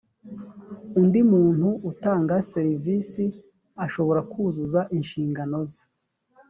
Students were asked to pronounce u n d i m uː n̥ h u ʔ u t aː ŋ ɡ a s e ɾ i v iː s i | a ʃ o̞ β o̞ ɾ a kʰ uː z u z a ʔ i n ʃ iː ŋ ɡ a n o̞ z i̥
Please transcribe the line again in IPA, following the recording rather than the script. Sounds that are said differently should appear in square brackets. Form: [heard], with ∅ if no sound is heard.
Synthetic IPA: u n d i m uː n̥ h u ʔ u t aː ŋ ɡ a s e ɾ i v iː s i | a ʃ o̞ β o̞ ɾ a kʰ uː z u z a ʔ i n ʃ iː ŋ ɡ a n o̞ z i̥